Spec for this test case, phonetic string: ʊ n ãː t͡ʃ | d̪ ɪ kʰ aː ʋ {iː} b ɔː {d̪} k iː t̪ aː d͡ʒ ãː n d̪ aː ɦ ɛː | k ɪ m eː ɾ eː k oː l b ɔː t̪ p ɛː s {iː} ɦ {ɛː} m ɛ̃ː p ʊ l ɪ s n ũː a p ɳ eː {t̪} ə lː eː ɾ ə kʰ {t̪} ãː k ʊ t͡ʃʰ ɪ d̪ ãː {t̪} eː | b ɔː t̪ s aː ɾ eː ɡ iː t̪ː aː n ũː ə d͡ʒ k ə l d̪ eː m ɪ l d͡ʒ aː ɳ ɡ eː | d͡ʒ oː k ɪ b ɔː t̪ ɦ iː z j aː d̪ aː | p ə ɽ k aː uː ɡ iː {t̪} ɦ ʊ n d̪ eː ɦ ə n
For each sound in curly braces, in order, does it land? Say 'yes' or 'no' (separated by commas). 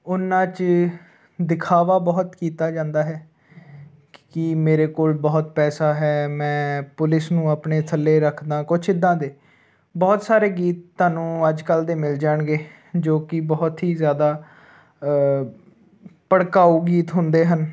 no, no, no, yes, no, no, no, yes